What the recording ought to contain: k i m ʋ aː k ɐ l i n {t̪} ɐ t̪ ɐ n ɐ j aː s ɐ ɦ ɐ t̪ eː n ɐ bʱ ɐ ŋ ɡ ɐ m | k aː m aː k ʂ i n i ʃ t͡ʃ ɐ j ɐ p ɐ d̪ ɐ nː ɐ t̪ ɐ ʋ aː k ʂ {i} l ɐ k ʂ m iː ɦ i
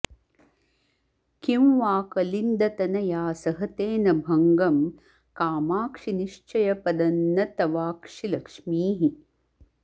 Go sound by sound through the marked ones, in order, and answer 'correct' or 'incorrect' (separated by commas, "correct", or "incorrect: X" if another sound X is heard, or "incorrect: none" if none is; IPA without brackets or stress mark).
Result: incorrect: d̪, correct